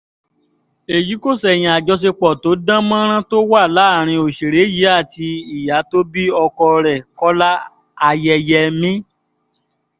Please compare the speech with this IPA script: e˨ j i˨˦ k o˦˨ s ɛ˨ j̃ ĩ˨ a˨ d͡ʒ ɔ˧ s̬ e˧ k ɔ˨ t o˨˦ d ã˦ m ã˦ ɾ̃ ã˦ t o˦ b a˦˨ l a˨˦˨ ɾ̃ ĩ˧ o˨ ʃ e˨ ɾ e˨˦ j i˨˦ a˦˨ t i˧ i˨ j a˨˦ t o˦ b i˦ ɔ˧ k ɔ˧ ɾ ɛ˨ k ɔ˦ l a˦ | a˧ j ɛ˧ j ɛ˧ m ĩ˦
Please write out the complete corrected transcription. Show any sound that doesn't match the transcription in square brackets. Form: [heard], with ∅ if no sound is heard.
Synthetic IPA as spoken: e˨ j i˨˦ k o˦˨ s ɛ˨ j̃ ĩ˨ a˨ d͡ʒ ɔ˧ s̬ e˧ [k͡p] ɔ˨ t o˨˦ d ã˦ m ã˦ ɾ̃ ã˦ t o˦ [w] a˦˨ l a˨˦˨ ɾ̃ ĩ˧ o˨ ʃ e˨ ɾ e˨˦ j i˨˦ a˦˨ t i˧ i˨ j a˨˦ t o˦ b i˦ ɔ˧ k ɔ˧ ɾ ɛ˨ k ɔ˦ l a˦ | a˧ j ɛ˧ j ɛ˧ m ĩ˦